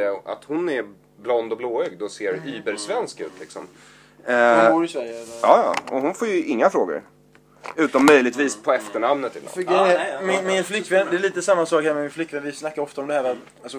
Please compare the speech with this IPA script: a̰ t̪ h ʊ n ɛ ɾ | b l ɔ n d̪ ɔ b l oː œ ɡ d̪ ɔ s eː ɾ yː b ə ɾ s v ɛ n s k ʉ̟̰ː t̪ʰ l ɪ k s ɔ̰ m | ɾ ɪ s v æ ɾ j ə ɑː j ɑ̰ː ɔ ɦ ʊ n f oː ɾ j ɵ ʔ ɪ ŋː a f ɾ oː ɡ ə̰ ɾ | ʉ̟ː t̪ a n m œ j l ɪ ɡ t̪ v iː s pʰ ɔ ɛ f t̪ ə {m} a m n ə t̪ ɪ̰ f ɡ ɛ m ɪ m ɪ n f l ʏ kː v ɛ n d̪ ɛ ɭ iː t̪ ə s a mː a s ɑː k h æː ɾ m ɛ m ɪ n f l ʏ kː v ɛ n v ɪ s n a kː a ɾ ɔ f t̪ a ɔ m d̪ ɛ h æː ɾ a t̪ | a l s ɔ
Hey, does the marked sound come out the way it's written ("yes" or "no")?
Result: no